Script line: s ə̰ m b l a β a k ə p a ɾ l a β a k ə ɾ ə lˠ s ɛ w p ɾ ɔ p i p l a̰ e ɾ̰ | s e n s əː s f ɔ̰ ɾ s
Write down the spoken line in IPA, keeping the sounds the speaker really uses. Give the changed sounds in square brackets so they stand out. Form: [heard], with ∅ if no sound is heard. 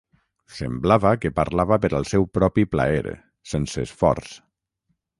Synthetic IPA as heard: s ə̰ m b l a β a k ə p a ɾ l a β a [p] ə ɾ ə lˠ s ɛ w p ɾ ɔ p i p l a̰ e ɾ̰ | s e n s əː s f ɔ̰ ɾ s